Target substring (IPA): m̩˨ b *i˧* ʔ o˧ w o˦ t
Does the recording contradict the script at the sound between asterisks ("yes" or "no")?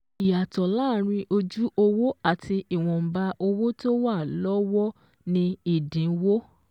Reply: yes